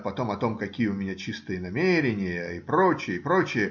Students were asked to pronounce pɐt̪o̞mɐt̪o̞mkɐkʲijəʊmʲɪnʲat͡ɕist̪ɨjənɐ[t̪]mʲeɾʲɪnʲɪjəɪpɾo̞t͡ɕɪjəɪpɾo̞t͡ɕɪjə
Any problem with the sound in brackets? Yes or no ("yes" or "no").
yes